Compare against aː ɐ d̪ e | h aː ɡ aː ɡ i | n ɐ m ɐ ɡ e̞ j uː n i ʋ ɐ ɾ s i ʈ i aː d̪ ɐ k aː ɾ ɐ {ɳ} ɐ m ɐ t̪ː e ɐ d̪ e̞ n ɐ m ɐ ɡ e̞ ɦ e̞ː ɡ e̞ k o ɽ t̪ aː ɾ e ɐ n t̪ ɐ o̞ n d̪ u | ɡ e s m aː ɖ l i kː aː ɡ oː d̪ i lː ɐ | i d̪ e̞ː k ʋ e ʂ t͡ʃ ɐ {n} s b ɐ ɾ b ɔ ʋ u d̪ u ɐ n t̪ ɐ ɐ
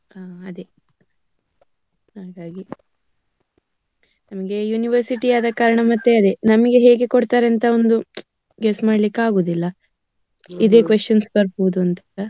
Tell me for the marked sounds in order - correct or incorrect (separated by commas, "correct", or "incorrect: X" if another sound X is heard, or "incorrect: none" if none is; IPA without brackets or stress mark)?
correct, correct